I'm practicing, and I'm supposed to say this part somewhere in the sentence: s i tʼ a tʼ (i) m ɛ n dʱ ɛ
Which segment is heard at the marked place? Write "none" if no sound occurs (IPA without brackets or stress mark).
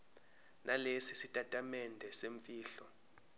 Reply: a